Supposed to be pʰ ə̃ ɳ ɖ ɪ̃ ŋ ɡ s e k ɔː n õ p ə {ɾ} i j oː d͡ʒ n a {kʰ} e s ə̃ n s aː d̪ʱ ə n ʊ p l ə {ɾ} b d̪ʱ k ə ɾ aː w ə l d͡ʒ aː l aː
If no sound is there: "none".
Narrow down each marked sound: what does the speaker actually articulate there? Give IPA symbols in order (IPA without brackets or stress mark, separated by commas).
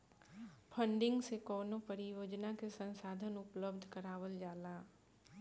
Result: ɾ, k, none